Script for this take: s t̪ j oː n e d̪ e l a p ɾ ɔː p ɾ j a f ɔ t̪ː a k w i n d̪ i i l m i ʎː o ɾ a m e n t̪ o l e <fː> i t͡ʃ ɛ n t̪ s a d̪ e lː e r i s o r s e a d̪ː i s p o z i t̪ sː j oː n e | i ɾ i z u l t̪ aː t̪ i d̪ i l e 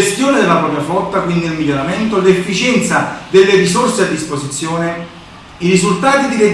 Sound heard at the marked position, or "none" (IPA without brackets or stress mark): fː